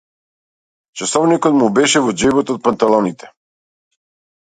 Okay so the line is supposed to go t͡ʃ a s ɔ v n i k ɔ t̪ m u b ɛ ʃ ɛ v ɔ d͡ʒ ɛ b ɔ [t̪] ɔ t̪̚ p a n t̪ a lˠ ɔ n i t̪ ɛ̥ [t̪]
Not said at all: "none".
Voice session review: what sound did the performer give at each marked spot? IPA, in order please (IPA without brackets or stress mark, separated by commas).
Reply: t̪, none